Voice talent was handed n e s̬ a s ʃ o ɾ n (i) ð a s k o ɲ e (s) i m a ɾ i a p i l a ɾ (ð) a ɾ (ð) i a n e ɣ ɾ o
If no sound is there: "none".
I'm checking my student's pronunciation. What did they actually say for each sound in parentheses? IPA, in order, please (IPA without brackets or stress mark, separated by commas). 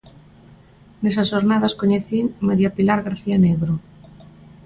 a, θ, ɣ, θ